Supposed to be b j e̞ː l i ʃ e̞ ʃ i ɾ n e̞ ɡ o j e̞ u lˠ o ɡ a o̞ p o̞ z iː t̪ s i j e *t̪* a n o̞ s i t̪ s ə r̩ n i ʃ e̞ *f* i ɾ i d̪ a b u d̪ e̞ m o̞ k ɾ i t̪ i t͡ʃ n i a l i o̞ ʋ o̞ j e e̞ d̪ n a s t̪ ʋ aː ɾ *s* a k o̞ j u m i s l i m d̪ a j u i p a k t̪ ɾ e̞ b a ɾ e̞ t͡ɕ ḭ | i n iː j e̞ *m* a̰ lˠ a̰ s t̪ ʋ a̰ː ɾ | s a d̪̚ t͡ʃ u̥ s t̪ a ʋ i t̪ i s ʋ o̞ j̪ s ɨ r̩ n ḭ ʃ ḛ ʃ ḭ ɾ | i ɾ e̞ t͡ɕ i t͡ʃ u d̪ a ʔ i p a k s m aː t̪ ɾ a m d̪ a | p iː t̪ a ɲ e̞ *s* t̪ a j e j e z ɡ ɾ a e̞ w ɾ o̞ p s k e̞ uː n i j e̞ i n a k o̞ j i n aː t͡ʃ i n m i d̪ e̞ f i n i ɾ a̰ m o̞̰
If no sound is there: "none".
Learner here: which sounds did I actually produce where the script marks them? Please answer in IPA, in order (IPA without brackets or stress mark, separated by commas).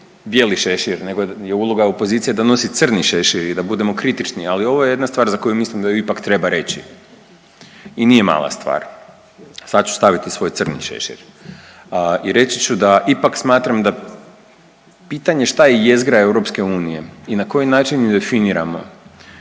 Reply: d̪, ʃ, z, m, ʃ